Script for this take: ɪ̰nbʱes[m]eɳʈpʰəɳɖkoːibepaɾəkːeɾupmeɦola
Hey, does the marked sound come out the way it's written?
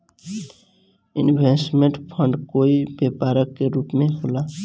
yes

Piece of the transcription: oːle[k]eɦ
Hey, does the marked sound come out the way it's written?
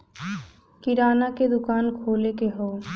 yes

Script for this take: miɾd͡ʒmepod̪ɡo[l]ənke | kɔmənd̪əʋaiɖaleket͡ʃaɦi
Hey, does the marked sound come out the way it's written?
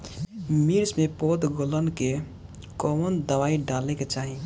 yes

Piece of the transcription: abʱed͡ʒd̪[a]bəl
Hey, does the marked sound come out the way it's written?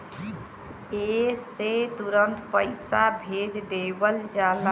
no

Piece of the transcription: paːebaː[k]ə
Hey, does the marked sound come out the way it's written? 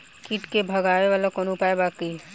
yes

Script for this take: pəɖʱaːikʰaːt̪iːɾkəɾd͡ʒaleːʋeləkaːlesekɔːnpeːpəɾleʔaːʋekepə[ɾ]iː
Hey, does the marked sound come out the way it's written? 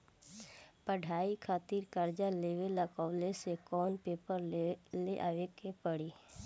no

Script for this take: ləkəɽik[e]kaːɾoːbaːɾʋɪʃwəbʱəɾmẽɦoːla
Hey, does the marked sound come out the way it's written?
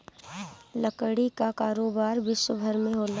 no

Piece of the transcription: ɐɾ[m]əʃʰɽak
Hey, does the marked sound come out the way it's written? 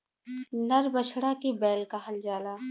no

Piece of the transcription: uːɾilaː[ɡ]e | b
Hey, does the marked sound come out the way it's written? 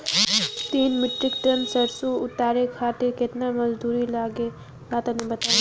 yes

